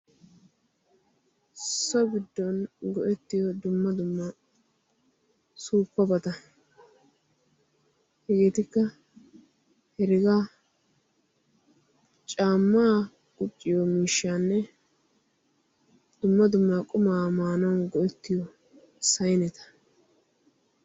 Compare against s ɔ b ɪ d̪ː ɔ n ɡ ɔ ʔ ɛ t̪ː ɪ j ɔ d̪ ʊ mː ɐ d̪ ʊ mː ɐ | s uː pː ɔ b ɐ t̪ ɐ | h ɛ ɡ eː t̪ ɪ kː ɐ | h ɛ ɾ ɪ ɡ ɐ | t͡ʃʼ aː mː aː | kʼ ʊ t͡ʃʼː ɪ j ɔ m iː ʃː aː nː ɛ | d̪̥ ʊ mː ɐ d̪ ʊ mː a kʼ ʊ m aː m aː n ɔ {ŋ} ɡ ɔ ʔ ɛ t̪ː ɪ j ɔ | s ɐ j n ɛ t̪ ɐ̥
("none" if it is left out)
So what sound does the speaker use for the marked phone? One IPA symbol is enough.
n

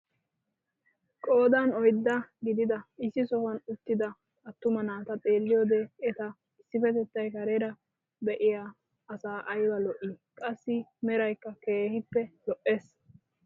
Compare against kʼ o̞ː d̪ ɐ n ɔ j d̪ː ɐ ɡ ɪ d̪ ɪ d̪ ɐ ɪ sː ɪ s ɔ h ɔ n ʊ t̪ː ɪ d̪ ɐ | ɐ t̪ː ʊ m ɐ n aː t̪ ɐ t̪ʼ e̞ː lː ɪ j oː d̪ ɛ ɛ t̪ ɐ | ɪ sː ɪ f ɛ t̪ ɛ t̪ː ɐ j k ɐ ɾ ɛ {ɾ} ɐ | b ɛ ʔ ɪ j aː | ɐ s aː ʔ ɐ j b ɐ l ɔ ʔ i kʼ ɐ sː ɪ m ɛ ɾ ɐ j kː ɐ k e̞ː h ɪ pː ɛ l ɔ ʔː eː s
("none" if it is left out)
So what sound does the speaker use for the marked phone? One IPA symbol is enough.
ɾ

